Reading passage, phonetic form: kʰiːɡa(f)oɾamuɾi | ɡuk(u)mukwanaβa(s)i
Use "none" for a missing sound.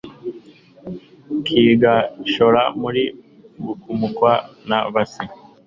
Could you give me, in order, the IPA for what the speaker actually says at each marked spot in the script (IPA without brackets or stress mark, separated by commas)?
ʃ, u, s